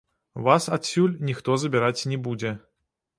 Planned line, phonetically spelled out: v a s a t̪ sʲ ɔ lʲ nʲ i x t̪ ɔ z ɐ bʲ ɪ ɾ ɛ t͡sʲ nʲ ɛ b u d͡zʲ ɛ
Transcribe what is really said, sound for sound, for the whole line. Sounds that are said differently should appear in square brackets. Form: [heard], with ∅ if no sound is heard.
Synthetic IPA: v a s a t̪ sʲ [u] lʲ nʲ i x t̪ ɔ z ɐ bʲ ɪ ɾ [a] t͡sʲ nʲ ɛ b u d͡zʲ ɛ

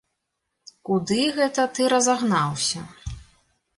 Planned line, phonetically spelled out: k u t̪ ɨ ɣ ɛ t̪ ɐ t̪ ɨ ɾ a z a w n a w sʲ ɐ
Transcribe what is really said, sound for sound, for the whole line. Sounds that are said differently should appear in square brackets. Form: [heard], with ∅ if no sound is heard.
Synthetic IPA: k u [d̪] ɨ ɣ ɛ t̪ ɐ t̪ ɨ ɾ [ɐ] z a [ɣ] n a w sʲ ɐ

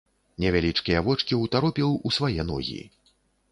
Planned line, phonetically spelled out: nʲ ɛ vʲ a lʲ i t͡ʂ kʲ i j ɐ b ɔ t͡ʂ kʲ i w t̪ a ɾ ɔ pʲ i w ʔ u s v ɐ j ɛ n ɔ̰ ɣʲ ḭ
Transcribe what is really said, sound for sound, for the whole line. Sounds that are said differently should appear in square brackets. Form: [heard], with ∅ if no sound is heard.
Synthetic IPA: nʲ ɛ vʲ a lʲ i t͡ʂ kʲ i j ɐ [v] ɔ t͡ʂ kʲ i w t̪ a ɾ ɔ pʲ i w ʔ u s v [a] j ɛ n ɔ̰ ɣʲ ḭ

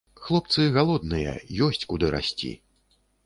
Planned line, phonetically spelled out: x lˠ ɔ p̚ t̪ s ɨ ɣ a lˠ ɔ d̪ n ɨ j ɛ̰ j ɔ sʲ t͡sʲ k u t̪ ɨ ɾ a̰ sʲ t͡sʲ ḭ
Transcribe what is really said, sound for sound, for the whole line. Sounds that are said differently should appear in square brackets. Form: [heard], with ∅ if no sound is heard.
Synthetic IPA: x lˠ ɔ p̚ t̪ s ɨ ɣ a lˠ ɔ d̪ n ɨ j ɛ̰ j ɔ sʲ t͡sʲ k u [d̪] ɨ ɾ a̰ sʲ t͡sʲ ḭ

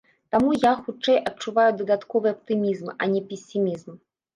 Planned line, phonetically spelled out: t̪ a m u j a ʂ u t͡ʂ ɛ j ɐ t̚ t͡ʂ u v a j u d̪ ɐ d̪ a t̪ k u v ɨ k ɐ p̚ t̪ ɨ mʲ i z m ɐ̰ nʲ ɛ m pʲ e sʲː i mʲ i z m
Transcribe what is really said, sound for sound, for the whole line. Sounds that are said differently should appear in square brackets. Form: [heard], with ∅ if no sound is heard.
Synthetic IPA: t̪ a m u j a [x] u t͡ʂ ɛ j ɐ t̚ t͡ʂ u v a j u d̪ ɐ d̪ a t̪ k [ɔ] v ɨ [∅] ɐ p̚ t̪ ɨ mʲ i z m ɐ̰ nʲ ɛ [∅] pʲ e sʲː i mʲ i z m

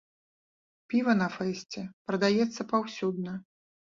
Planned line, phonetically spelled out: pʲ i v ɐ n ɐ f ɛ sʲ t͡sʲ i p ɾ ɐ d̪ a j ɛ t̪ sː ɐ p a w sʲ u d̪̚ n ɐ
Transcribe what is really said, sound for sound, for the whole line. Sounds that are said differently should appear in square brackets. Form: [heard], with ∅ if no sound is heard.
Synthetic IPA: pʲ i v ɐ n ɐ f ɛ sʲ t͡sʲ [ɛ] p ɾ ɐ d̪ a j ɛ t̪ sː ɐ p a w sʲ u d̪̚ n ɐ

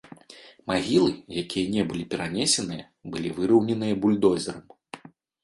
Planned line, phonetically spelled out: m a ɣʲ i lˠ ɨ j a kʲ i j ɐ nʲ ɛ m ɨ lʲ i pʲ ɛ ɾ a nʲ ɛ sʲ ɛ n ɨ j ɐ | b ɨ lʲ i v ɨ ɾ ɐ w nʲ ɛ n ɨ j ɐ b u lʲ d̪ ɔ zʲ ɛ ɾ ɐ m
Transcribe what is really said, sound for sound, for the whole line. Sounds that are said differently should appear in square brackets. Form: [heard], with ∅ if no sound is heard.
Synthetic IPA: m a ɣʲ i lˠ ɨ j a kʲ i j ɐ nʲ ɛ [b] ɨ lʲ i pʲ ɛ ɾ a nʲ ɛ sʲ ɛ n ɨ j ɐ | b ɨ lʲ i v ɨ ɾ ɐ w nʲ ɛ n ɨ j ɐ b u lʲ d̪ ɔ zʲ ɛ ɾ ɐ m

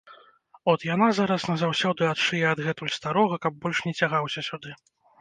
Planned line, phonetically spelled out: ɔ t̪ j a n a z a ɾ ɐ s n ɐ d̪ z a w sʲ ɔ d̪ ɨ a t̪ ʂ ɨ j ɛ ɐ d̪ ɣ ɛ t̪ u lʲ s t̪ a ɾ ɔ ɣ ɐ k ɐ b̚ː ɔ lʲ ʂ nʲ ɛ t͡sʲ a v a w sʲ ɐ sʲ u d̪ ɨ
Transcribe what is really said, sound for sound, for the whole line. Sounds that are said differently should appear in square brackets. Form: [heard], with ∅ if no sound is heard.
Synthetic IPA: ɔ t̪ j a n a z a ɾ ɐ s n ɐ [∅] z a w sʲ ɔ d̪ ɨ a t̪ ʂ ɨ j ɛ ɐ d̪ ɣ ɛ t̪ u lʲ s t̪ a ɾ ɔ ɣ ɐ k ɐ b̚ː ɔ lʲ ʂ nʲ ɛ t͡sʲ a [ɣ] a w sʲ ɐ sʲ u d̪ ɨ

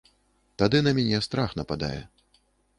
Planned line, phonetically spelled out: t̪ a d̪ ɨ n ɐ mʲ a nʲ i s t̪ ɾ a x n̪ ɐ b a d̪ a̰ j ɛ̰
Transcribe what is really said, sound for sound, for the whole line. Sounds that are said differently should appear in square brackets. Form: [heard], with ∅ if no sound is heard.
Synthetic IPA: t̪ a d̪ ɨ n ɐ mʲ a nʲ [ɛ] s t̪ ɾ a x n̪ ɐ [p] a d̪ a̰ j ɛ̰

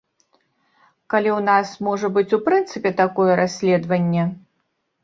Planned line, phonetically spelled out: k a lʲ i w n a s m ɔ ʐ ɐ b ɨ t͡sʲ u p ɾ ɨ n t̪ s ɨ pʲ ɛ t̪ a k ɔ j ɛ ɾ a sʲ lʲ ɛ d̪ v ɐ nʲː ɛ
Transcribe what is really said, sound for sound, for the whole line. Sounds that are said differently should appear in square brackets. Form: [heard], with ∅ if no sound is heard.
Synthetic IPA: k a lʲ i w n a s m ɔ ʐ ɐ b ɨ t͡sʲ u p ɾ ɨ n t̪ s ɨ pʲ ɛ t̪ a k ɔ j ɛ ɾ a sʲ lʲ ɛ d̪ v ɐ nʲː ɛ

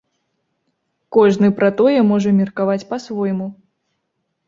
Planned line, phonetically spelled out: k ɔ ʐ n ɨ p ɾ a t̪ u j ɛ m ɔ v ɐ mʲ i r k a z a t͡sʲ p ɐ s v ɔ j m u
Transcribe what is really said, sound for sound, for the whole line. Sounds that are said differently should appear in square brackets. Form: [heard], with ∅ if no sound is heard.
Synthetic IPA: k ɔ ʐ n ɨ p ɾ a t̪ [ɔ] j ɛ m ɔ [ʐ] ɐ mʲ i r k a [v] a t͡sʲ p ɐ s v ɔ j m u

